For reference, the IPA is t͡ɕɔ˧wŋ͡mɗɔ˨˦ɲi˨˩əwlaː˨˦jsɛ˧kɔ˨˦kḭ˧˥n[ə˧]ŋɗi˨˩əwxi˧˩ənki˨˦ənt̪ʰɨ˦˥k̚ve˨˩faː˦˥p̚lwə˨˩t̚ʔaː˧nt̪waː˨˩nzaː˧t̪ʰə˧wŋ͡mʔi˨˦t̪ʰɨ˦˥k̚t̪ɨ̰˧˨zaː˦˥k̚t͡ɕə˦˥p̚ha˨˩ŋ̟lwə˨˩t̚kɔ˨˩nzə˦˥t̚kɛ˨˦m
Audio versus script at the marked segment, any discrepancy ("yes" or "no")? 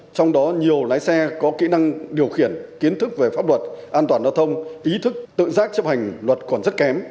yes